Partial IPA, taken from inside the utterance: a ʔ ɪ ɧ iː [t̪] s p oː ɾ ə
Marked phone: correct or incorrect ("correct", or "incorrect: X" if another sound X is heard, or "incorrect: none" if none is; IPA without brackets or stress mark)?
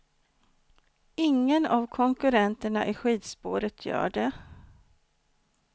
incorrect: d̪